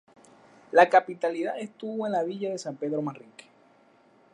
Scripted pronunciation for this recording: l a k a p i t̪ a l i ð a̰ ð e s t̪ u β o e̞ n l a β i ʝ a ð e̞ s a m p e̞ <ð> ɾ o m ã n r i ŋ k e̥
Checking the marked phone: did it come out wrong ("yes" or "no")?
no